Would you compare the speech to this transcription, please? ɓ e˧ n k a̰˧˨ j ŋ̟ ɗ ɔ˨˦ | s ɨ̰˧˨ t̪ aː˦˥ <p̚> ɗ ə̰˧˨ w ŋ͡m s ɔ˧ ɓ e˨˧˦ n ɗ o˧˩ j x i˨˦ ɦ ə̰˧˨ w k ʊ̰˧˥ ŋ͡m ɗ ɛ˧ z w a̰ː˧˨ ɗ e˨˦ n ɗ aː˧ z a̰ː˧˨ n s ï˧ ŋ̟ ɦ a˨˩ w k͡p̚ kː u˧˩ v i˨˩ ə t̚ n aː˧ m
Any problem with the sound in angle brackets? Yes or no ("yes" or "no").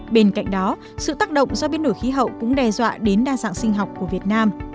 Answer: yes